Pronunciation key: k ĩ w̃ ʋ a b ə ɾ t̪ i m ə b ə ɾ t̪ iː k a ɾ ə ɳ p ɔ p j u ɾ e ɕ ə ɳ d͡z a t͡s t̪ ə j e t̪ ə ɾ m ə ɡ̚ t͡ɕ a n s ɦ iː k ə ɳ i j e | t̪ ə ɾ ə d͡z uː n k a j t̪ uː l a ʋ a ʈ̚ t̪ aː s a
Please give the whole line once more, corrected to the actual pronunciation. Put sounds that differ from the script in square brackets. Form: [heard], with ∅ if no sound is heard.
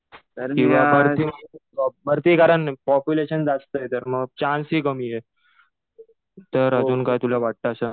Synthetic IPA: k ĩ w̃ ʋ a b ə ɾ t̪ i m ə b ə ɾ t̪ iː k a ɾ ə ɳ p ɔ p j u [l] e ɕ ə [n] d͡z a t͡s t̪ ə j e t̪ ə ɾ m ə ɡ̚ t͡ɕ a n s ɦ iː k ə [m] i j e | t̪ ə ɾ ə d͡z uː n k a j t̪ [u] l a ʋ a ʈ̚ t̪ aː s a